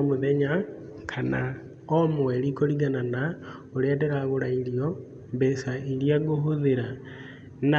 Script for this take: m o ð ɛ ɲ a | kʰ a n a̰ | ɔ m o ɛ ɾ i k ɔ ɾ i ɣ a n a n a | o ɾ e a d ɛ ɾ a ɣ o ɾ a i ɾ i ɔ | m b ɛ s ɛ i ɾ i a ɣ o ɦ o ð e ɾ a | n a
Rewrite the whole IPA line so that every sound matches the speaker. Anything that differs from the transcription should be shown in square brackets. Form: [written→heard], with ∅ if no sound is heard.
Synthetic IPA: m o ð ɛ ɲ a | kʰ a n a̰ | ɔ m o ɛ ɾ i k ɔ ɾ i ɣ a n a n a | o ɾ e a d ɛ ɾ a ɣ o ɾ a i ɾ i ɔ | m b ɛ s [ɛ→a] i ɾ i a ɣ o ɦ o ð e ɾ a | n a